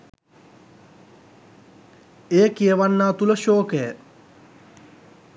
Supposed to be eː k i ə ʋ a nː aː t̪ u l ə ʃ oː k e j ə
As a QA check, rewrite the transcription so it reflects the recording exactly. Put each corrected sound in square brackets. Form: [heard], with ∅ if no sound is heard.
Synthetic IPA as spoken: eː k i ə ʋ a nː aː t̪ u l ə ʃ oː k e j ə